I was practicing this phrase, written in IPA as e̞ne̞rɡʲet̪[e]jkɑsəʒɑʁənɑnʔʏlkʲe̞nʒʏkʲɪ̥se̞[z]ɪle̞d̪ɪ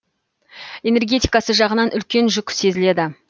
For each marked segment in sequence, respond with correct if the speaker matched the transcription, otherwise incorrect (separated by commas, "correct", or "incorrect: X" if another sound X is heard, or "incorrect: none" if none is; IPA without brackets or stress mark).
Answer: incorrect: i, correct